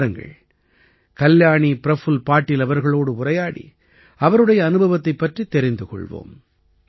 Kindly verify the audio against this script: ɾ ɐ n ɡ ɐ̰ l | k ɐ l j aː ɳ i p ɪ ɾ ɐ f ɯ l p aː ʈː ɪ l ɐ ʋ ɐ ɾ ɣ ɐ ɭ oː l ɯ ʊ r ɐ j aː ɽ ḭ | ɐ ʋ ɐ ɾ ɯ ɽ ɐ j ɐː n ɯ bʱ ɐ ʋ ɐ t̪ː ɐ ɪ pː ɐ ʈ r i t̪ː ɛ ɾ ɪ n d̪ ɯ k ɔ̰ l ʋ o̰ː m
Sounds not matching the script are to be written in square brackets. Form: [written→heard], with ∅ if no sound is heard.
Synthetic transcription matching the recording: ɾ ɐ [n→ŋ] ɡ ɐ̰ [l→ɭ] | k ɐ l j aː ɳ i p ɪ ɾ ɐ f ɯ l p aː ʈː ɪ l ɐ ʋ ɐ ɾ ɣ ɐ ɭ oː [l→ɽ] ɯ ʊ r ɐ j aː ɽ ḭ | ɐ ʋ ɐ ɾ ɯ ɽ ɐ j ɐː n ɯ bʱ ɐ ʋ ɐ t̪ː ɐ ɪ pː ɐ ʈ r i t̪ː ɛ ɾ ɪ n d̪ ɯ k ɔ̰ [l→ɭ] ʋ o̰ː m